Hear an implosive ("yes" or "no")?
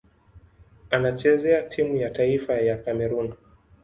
no